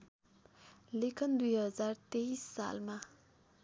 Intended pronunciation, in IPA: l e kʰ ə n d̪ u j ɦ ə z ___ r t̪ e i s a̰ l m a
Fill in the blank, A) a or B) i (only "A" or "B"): A